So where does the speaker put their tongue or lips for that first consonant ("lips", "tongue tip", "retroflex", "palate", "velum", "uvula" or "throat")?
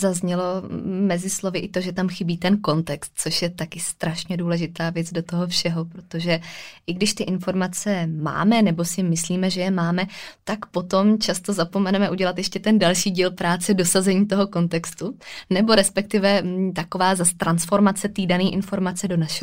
tongue tip